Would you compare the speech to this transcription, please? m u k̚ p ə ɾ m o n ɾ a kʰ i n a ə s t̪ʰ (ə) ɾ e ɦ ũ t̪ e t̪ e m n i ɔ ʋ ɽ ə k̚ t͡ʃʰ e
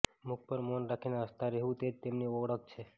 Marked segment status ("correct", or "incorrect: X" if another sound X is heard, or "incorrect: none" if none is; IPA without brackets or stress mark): incorrect: a